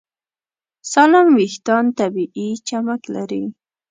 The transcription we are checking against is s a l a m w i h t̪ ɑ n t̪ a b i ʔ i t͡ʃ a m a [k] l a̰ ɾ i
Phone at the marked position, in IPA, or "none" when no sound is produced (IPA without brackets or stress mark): k